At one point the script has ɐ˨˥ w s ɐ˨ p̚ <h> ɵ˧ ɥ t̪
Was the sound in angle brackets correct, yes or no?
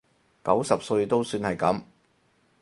no